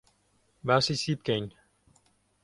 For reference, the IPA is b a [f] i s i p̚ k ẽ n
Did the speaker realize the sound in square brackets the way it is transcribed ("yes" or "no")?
no